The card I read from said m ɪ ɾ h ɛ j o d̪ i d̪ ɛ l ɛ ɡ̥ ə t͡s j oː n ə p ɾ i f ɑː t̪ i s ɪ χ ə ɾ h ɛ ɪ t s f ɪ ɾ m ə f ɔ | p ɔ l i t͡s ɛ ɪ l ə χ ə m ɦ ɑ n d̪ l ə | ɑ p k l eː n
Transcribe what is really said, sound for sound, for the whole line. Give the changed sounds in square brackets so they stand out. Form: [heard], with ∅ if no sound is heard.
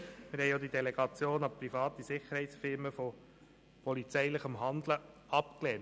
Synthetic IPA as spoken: m ɪ ɾ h ɛ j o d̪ i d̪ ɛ l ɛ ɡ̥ [ɑ] t͡s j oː n [ɑ] p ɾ i f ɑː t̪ i s ɪ χ ə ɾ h ɛ ɪ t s f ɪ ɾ m ə f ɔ | p ɔ l i t͡s ɛ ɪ l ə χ ə m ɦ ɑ n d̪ l ə | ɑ p k l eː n